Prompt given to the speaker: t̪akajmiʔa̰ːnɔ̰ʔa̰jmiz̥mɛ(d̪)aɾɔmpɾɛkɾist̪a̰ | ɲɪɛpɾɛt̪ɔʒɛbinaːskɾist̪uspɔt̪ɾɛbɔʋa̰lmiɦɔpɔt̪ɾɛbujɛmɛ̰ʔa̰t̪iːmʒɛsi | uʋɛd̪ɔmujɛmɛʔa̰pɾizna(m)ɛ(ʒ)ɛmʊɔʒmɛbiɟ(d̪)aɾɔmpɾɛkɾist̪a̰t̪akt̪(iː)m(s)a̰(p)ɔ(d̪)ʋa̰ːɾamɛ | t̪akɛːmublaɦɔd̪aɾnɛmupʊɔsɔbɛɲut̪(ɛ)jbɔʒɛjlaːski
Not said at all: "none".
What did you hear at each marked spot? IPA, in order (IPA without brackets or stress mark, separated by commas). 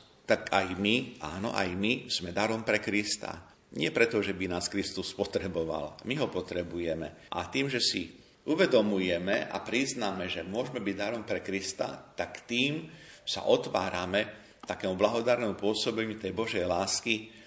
d̪, m, ʒ, d̪, iː, s, ʔ, t̪, ɛ